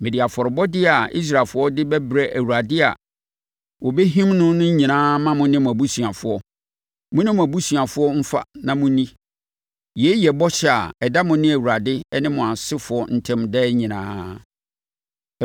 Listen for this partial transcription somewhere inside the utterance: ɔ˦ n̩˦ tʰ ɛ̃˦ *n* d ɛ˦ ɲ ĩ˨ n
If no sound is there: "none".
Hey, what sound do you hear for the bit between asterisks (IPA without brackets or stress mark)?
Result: m